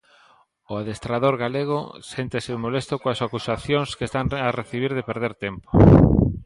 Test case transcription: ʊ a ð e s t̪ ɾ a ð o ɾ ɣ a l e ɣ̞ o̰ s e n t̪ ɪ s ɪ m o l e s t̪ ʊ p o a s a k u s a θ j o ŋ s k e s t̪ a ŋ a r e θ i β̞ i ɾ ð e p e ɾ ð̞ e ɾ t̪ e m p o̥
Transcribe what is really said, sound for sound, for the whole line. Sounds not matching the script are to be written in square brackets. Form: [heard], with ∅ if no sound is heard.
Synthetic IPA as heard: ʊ a ð e s t̪ ɾ a ð o ɾ ɣ a l e ɣ̞ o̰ s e n t̪ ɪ s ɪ m o l e s t̪ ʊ [k] o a s a k u s a θ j o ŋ s k e s t̪ a ŋ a r e θ i β̞ i ɾ ð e p e ɾ ð̞ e ɾ t̪ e m p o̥